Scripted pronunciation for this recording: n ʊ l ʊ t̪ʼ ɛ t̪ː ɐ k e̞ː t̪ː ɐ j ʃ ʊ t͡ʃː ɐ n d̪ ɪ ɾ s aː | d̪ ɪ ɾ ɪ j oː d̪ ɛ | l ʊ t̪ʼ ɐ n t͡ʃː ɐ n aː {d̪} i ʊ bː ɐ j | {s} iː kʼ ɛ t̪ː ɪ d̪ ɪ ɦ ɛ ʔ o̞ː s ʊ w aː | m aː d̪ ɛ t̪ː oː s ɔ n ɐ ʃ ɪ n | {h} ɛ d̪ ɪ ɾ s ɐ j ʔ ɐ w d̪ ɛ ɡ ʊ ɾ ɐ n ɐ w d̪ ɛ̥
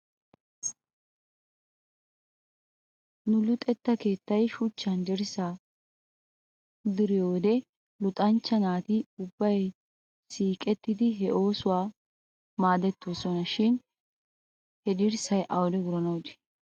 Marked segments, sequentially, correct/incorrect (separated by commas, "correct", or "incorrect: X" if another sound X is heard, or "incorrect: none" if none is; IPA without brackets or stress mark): incorrect: t̪, correct, correct